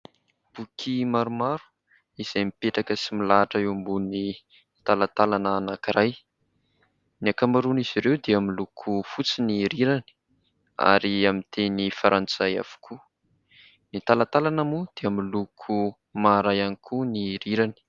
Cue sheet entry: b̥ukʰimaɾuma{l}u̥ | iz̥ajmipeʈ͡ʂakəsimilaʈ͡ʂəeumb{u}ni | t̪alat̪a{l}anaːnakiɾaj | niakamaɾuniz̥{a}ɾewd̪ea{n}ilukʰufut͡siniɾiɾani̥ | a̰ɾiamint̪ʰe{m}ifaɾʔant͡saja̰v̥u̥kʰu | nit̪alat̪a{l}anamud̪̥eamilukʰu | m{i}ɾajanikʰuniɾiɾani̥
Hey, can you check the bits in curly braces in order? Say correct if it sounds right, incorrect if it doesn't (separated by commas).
incorrect, correct, correct, incorrect, incorrect, incorrect, correct, incorrect